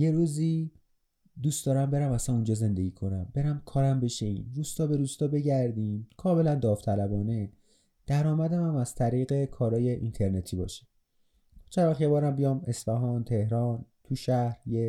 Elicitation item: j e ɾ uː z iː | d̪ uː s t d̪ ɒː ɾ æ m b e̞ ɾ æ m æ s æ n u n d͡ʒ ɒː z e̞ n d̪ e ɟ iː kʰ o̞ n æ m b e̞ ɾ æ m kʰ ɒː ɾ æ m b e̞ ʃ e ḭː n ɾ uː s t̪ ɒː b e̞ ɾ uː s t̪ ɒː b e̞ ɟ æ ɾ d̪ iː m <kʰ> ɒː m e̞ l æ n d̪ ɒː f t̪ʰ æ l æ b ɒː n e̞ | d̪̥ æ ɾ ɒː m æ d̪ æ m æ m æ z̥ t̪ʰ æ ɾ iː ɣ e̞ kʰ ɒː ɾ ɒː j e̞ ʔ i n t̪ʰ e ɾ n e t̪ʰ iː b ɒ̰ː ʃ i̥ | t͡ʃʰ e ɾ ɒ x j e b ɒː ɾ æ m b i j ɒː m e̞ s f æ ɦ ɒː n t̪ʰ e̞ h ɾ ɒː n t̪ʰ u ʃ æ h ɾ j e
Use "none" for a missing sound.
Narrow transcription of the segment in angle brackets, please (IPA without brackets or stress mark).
kʰ